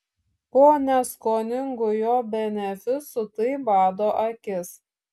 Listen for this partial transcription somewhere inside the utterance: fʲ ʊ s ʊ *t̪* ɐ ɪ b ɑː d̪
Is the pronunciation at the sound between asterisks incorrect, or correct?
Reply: correct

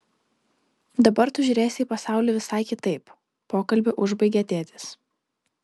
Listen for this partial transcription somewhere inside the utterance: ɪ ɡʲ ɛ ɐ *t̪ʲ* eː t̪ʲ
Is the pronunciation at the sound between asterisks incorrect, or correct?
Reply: correct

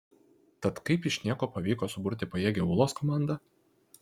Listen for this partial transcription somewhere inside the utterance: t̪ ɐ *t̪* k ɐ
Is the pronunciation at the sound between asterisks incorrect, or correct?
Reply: correct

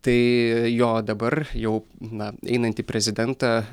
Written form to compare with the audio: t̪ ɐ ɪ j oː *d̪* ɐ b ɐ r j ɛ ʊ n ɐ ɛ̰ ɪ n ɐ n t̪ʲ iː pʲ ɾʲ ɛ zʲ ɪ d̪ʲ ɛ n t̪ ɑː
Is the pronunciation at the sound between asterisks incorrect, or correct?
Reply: correct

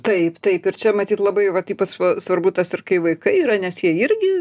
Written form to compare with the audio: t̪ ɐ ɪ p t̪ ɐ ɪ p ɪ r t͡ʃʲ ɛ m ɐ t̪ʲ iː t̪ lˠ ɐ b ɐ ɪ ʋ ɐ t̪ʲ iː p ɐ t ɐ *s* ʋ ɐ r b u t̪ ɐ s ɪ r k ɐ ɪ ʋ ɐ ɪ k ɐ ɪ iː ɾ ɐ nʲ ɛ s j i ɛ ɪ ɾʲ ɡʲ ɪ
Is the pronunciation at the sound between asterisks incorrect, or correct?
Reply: correct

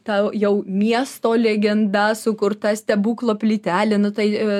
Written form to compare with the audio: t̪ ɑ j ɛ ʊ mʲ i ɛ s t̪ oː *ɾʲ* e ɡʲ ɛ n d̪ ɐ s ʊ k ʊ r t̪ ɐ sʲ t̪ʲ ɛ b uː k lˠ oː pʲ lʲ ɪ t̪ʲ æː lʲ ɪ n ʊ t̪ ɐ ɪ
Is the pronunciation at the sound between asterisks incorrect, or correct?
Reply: incorrect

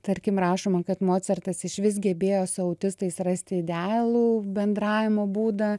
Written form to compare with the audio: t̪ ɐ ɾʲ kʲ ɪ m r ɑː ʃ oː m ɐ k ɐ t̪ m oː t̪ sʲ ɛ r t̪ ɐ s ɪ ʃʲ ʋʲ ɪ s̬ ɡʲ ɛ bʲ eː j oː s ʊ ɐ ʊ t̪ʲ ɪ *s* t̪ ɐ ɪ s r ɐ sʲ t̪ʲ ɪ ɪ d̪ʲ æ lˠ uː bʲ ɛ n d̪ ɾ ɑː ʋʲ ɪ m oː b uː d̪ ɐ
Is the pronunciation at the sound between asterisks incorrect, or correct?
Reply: correct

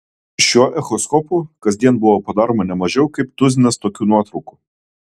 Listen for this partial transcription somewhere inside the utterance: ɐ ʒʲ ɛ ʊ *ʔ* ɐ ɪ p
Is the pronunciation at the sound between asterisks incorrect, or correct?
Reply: incorrect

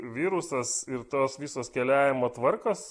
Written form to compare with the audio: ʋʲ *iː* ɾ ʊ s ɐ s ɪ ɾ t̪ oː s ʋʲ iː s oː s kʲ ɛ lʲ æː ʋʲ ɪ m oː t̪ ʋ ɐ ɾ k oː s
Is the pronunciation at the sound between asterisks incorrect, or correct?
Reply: correct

